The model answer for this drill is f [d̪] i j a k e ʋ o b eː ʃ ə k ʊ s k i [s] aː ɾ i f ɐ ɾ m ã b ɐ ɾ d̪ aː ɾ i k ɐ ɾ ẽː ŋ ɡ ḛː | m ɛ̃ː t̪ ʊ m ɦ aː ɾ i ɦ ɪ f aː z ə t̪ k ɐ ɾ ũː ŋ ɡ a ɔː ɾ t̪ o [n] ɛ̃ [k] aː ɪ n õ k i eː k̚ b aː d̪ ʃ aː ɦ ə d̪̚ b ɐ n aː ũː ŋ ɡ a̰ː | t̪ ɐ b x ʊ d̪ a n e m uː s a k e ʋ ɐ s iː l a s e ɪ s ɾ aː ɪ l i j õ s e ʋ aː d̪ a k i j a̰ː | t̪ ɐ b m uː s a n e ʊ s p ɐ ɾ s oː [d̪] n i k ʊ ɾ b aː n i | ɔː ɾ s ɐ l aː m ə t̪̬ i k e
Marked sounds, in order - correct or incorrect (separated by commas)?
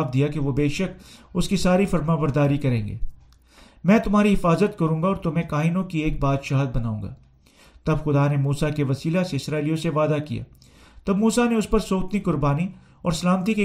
correct, correct, incorrect, correct, incorrect